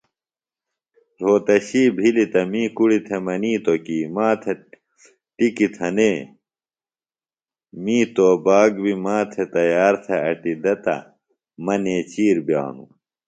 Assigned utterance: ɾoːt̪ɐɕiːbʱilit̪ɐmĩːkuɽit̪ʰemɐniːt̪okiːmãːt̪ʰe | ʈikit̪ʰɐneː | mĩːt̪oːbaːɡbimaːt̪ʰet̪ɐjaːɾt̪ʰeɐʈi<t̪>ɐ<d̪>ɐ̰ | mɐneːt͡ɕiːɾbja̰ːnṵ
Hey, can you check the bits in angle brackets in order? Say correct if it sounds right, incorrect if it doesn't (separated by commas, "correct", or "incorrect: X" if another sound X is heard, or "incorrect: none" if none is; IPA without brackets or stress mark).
incorrect: d̪, incorrect: t̪